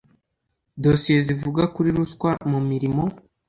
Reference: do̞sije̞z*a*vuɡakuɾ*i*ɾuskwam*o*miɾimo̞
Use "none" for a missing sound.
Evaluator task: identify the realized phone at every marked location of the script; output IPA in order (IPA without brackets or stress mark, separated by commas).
i, i, u